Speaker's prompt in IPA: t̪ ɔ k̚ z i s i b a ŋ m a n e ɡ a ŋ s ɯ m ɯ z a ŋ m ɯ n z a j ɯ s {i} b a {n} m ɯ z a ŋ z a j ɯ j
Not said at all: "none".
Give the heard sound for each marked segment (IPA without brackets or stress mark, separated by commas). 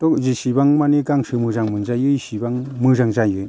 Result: i, ŋ